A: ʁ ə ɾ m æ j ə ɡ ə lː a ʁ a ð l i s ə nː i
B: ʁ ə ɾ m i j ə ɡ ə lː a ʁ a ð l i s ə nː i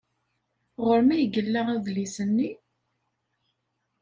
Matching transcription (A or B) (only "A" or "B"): A